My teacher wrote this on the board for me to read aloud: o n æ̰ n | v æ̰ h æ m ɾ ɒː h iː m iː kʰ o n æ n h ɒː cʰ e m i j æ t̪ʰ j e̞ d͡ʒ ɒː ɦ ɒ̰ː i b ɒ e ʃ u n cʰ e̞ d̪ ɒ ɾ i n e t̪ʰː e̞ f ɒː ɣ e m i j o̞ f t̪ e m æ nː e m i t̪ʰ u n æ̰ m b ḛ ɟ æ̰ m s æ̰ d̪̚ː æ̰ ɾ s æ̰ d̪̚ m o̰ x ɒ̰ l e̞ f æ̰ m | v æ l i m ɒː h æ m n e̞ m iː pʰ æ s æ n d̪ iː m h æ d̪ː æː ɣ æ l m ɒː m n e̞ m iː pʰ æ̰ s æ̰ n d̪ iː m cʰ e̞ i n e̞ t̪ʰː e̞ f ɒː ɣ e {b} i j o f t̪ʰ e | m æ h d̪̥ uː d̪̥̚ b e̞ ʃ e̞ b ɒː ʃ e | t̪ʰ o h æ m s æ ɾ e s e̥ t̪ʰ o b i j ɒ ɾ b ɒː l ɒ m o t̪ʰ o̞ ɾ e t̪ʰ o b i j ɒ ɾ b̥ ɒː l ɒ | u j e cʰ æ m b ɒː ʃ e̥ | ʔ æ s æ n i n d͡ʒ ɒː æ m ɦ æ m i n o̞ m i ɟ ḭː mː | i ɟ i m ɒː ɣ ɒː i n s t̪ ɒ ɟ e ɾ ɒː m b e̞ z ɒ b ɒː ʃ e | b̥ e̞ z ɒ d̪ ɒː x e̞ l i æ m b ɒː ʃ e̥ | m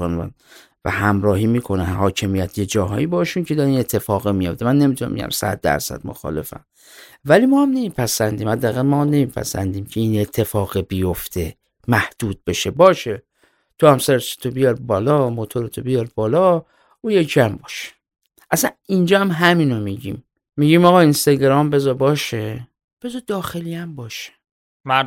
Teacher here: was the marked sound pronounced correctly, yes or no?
yes